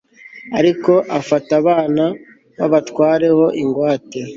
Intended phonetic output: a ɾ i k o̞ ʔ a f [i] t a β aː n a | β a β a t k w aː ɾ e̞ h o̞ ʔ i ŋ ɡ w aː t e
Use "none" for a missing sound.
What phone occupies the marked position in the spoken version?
a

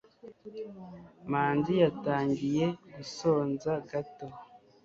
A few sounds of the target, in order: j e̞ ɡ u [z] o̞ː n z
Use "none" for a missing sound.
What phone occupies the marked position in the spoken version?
s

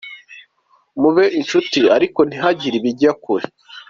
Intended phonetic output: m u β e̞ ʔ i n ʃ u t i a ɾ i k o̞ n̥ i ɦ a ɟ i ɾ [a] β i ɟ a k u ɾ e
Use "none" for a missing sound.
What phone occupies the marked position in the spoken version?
i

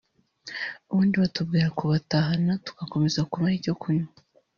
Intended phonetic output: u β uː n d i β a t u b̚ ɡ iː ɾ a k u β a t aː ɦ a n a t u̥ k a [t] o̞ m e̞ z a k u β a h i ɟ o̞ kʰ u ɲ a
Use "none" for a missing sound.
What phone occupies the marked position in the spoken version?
k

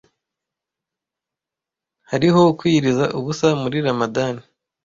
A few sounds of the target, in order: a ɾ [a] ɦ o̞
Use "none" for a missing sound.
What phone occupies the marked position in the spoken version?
i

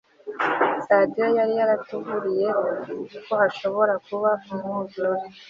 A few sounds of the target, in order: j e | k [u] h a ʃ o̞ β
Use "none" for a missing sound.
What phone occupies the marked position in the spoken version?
o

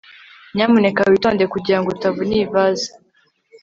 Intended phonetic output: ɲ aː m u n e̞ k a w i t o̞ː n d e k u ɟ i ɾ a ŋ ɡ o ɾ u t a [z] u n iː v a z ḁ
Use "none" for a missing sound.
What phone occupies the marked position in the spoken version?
v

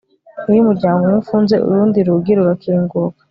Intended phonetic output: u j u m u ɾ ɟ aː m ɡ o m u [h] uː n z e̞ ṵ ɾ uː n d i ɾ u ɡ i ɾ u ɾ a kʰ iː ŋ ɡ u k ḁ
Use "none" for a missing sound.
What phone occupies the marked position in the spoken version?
f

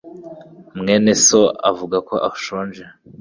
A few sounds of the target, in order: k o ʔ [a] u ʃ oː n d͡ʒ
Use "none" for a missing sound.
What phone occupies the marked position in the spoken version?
a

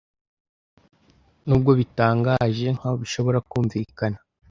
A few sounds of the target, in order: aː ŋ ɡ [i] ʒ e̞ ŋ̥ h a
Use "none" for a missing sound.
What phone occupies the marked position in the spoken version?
a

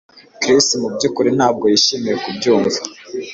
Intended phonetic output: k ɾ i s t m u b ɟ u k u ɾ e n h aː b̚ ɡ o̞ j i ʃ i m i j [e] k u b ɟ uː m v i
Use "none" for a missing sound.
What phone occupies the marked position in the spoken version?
e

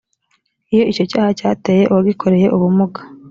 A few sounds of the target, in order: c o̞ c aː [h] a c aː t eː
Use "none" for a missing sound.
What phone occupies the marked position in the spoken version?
h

